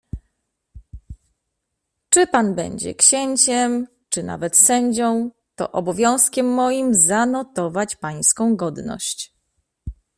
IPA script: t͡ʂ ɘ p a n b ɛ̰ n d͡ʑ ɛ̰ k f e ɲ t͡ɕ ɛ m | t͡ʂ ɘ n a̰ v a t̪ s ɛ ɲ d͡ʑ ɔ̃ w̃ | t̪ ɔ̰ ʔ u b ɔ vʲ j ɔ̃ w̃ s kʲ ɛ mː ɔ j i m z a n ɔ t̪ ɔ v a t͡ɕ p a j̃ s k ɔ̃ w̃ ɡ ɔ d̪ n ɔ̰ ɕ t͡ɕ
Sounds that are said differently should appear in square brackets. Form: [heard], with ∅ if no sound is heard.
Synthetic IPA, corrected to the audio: t͡ʂ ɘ p a n b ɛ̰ [ɲ] d͡ʑ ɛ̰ k [ɕ] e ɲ t͡ɕ ɛ m | t͡ʂ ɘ n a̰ v [ɛ] t̪ s ɛ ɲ d͡ʑ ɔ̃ w̃ | t̪ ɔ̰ ʔ [ɔ] b ɔ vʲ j ɔ̃ w̃ s kʲ ɛ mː ɔ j i m z a n ɔ t̪ ɔ v a t͡ɕ p a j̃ s k ɔ̃ w̃ ɡ ɔ d̪ n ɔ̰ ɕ t͡ɕ